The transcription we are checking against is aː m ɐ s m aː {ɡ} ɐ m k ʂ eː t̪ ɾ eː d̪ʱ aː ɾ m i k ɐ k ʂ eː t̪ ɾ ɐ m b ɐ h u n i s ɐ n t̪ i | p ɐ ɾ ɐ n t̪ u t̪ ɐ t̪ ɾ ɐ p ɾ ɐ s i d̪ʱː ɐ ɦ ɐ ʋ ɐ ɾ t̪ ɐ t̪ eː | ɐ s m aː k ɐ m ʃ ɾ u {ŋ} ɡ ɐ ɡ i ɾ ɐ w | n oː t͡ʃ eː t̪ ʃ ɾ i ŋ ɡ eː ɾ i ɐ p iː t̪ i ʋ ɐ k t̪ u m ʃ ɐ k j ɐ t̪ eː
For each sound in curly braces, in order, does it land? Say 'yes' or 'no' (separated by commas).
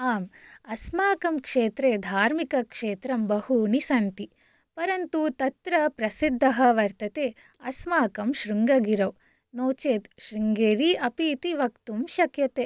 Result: no, yes